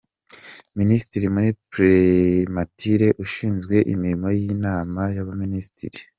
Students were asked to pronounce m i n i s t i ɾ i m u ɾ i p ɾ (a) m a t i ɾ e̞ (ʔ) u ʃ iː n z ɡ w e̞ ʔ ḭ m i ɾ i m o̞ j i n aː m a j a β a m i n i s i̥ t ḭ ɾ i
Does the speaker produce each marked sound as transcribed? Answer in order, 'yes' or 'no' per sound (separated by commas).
no, yes